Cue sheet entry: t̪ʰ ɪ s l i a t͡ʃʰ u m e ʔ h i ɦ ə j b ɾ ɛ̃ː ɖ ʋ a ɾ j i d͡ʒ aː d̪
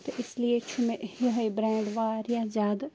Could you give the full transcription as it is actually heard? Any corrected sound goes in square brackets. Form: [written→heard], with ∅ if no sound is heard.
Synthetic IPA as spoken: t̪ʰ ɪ s l i [a→e] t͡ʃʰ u m e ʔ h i ɦ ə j b ɾ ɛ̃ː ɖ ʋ a ɾ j [i→a] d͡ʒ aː d̪